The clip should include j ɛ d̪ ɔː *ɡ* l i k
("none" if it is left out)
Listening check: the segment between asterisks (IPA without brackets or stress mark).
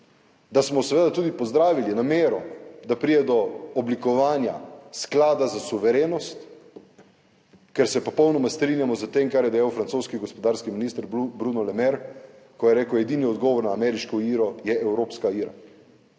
b